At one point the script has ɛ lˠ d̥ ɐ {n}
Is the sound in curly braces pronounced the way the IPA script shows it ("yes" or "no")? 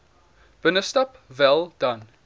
yes